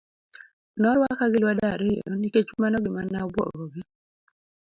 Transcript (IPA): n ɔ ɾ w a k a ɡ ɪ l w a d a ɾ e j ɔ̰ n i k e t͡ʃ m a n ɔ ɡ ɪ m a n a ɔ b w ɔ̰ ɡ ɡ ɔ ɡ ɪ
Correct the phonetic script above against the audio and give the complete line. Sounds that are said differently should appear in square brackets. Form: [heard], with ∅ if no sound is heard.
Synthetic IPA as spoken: n ɔ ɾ w a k a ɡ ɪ l w a d a ɾ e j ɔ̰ n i k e t͡ʃ m a n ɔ ɡ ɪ m a n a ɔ b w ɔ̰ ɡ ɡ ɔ ɡ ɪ